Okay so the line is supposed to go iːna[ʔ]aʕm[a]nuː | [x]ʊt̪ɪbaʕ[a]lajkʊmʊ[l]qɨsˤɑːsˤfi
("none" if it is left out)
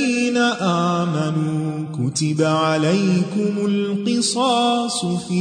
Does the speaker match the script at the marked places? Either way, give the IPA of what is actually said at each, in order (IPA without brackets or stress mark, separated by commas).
ʔ, a, k, a, l